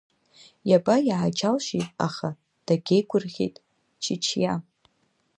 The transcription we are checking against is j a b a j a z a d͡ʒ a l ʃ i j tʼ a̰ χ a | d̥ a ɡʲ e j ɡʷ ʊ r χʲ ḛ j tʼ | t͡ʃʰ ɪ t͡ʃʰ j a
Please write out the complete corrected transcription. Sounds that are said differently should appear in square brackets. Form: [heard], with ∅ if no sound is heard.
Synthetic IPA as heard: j a b a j a [ʕ] a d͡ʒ a l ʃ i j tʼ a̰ χ a | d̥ a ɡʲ e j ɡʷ ʊ r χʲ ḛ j tʼ | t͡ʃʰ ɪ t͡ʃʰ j a